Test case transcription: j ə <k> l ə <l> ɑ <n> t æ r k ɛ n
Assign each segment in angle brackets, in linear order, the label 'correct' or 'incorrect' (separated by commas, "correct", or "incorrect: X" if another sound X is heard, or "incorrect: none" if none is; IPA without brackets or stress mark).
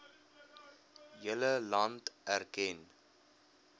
incorrect: none, correct, correct